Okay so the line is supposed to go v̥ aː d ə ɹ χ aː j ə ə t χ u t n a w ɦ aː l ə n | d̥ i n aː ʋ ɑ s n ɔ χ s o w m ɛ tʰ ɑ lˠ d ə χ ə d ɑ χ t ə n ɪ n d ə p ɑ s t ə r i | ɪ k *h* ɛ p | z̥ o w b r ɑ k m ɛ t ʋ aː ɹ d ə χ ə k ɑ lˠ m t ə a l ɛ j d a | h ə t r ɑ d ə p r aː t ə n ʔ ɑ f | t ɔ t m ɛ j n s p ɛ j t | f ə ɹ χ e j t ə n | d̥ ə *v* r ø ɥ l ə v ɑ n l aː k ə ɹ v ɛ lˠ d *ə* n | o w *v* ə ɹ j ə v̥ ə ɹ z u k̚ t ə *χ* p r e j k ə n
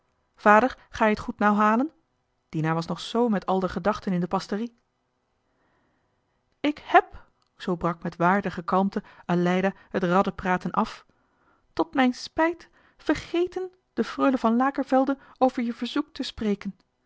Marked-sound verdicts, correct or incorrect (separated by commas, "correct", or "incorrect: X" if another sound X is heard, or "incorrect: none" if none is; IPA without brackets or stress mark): correct, incorrect: f, correct, correct, incorrect: s